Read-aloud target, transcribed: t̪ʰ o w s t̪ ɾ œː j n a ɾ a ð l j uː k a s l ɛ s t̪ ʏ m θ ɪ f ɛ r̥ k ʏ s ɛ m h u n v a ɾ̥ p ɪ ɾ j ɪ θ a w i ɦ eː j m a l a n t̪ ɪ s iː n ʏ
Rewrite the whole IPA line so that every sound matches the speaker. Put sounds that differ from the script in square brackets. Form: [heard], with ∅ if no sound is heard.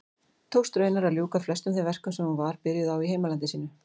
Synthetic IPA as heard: t̪ʰ o w s t̪ ɾ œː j n a ɾ a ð l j uː k a [f] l ɛ s t̪ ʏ m θ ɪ [v] ɛ r̥ k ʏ s ɛ m h u n v a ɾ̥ p ɪ ɾ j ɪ [ð] a w i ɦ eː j m a l a n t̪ ɪ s iː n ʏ